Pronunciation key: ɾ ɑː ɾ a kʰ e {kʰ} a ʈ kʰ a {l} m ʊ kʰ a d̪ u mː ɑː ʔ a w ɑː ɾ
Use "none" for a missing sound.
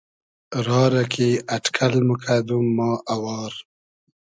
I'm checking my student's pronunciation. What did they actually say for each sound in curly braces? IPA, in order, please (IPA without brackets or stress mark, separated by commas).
none, l